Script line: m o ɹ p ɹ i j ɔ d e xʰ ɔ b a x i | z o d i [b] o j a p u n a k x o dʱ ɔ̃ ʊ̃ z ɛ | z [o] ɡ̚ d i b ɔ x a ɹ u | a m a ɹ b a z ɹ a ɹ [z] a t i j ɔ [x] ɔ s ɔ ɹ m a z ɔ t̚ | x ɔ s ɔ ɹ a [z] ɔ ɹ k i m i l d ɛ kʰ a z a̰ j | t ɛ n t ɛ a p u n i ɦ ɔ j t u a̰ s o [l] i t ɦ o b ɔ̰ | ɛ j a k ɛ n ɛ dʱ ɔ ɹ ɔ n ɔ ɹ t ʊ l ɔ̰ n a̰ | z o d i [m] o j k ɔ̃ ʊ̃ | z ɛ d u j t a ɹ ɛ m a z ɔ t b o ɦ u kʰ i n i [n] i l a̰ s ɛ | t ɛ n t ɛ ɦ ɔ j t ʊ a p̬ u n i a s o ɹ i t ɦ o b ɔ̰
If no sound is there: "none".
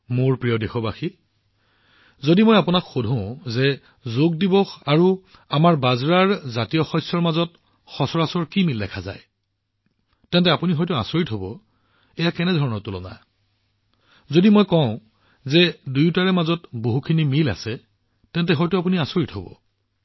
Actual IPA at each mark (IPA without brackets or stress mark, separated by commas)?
m, o, z, x, s, ɹ, m, m